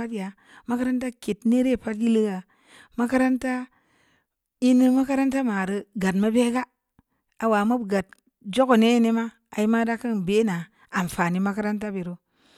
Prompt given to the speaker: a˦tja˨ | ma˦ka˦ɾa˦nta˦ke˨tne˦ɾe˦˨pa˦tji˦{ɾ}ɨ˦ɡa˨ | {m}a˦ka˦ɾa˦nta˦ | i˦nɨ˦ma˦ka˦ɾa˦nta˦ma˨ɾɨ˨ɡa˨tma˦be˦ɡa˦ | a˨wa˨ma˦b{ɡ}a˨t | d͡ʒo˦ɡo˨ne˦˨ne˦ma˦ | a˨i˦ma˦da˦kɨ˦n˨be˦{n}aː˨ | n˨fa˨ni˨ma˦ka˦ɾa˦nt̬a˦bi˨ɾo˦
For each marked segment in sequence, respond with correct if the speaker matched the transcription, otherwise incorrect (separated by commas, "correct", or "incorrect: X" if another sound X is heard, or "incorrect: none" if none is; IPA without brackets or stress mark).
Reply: incorrect: l, correct, correct, correct